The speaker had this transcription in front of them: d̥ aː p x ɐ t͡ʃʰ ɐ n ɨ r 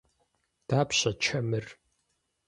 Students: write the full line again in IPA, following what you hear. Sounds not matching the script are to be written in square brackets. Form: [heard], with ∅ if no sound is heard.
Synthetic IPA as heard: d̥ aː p [ɕ] ɐ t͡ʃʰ ɐ [m] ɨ r

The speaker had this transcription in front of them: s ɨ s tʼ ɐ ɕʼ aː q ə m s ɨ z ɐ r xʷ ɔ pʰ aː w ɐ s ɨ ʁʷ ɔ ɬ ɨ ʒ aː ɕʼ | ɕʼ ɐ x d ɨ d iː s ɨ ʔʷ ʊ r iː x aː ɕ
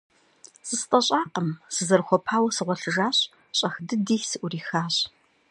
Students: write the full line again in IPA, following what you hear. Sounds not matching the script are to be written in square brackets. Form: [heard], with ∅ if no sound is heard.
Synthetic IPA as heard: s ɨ s tʼ ɐ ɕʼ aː q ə m s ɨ z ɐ r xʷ ɔ pʰ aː w ɐ s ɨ ʁʷ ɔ ɬ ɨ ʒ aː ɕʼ | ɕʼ ɐ x d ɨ d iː s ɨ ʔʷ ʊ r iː x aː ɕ

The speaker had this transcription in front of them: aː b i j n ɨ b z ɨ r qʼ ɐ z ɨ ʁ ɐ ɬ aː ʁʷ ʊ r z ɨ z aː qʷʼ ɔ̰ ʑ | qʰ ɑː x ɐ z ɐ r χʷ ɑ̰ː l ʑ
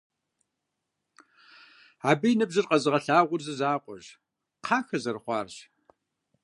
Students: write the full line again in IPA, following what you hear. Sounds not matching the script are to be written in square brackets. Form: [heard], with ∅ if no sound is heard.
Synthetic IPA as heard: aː b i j n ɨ b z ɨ r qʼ ɐ z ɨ ʁ ɐ ɬ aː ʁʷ ʊ r z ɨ z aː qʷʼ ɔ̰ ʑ | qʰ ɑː x ɐ z ɐ r χʷ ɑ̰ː [r] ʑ

